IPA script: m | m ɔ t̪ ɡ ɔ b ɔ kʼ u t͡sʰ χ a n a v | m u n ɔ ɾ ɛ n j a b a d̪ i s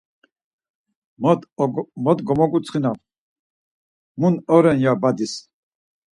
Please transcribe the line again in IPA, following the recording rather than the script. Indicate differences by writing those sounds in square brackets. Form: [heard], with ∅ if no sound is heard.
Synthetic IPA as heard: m | m ɔ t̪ ɡ ɔ [m] ɔ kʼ u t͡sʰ χ [i] n a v | m u n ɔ ɾ ɛ n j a b a d̪ i s